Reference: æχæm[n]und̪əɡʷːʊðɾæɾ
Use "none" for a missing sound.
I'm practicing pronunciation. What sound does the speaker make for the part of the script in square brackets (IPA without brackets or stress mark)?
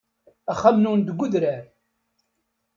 n